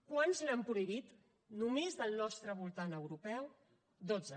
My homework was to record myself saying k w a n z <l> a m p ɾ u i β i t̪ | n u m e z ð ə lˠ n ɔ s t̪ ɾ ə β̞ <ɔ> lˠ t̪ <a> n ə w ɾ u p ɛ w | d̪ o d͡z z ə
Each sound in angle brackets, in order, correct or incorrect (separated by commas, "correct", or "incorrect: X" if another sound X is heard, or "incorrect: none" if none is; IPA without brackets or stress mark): correct, incorrect: u, correct